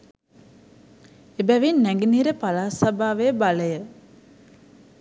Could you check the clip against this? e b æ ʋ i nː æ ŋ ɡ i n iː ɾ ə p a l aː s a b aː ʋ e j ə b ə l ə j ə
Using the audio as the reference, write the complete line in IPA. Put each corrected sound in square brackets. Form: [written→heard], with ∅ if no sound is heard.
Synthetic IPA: e b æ ʋ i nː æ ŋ ɡ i n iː ɾ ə p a l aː s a b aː ʋ e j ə b [ə→a] l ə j ə